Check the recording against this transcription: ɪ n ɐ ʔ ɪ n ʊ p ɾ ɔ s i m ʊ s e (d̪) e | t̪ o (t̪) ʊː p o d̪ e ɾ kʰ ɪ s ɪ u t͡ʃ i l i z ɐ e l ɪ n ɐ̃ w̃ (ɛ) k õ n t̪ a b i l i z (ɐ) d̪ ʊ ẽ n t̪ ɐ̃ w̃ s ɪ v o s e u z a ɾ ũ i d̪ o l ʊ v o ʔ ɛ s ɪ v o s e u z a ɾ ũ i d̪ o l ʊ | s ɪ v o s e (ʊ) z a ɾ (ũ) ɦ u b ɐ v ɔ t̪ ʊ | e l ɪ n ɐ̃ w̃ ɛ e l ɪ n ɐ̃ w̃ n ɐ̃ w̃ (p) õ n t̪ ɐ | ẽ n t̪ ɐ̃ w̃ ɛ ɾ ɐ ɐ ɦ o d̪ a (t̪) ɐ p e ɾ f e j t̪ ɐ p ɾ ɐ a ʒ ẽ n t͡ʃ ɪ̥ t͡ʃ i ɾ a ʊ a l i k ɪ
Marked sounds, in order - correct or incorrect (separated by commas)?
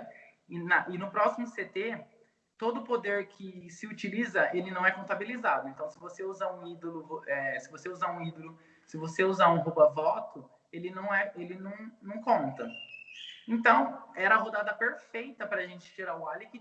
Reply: incorrect, incorrect, correct, incorrect, incorrect, correct, incorrect, incorrect